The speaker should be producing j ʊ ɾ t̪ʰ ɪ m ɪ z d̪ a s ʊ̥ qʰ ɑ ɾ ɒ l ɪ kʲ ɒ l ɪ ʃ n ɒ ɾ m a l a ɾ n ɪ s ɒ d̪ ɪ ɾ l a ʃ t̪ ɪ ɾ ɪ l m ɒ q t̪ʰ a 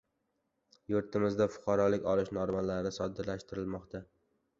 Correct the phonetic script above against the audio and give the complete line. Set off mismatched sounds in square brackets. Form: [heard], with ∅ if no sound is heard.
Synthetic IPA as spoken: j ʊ ɾ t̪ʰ ɪ m ɪ z d̪ a [f] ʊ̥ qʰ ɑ ɾ ɒ l ɪ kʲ ɒ l ɪ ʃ n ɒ ɾ m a l a ɾ n ɪ s ɒ d̪ ɪ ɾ l a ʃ t̪ ɪ ɾ ɪ l m ɒ q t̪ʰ a